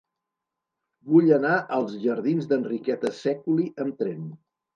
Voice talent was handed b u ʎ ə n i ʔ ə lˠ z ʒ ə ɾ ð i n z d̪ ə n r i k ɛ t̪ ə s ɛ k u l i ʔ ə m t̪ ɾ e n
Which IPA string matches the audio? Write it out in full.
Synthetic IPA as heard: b u ʎ ə n a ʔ ə lˠ z ʒ ə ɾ ð i n z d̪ ə n r i k ɛ t̪ ə s ɛ k u l i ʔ ə m t̪ ɾ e n